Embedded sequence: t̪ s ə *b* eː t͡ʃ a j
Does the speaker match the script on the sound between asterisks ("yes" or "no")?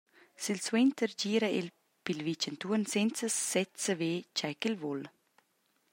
no